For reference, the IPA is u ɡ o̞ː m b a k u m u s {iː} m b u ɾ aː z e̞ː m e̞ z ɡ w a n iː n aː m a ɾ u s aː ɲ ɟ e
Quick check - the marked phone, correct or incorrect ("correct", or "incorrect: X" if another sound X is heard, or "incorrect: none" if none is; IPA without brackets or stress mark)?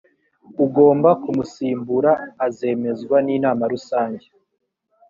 correct